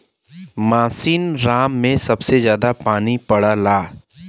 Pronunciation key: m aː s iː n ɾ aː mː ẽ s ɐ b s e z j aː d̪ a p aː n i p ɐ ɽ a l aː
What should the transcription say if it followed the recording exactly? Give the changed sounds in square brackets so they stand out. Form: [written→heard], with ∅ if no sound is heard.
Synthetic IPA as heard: m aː s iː n ɾ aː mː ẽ s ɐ b s e z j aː d̪ a p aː n i p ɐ ɽ a l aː